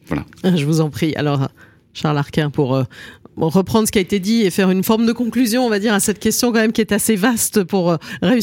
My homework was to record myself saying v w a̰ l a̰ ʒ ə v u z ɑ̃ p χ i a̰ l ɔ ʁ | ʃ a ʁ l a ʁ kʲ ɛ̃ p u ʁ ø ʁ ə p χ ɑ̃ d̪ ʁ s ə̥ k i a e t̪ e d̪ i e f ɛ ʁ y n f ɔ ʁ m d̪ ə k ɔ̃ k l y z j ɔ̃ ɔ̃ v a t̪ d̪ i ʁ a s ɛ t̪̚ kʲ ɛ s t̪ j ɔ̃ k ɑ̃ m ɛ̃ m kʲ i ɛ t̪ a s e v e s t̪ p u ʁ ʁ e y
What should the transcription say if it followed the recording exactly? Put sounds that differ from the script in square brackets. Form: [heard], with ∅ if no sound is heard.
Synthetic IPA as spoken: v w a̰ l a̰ ʒ ə v u z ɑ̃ p χ i a̰ l ɔ ʁ | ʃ a ʁ l a ʁ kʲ ɛ̃ p u ʁ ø ʁ ə p χ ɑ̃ d̪ ʁ s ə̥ k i a e t̪ e d̪ i e f ɛ ʁ y n f ɔ ʁ m d̪ ə k ɔ̃ k l y z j ɔ̃ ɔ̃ v a [∅] d̪ i ʁ a s ɛ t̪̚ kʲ ɛ s t̪ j ɔ̃ k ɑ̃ m [ɛ] m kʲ i ɛ t̪ a s e v [a] s t̪ p u ʁ ʁ e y